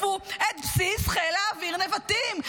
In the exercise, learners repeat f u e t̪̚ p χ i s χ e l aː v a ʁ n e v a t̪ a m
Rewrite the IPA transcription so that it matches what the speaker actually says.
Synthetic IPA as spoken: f u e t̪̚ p s i s χ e l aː v i ʁ n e v a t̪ i m